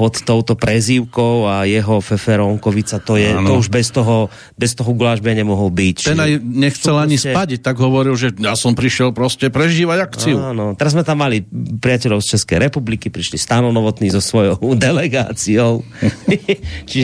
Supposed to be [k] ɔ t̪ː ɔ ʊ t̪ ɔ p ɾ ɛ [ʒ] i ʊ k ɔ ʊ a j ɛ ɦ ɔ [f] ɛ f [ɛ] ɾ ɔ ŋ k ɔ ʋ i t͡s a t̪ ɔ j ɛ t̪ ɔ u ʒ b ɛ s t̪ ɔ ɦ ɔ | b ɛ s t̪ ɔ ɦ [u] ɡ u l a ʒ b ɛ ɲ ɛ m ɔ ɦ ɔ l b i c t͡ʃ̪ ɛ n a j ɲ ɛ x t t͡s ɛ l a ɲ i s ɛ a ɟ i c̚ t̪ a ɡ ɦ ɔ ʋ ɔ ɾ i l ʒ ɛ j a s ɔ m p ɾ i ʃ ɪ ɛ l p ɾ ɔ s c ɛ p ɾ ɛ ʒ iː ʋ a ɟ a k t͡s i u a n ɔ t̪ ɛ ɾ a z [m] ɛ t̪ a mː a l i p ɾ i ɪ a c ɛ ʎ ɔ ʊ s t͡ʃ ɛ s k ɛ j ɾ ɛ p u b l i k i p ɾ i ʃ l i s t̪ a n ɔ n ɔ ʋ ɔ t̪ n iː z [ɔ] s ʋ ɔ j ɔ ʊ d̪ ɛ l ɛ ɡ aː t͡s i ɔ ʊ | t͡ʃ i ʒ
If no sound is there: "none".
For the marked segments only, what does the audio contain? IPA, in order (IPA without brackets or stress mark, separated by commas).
p, z, f, ɛ, ɔ, m, ɔ